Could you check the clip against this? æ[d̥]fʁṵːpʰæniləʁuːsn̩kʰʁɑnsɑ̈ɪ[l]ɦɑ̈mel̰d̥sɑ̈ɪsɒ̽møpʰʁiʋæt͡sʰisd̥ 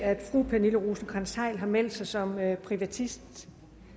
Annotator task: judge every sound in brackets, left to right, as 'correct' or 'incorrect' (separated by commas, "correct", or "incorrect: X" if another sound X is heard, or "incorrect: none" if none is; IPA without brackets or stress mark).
correct, correct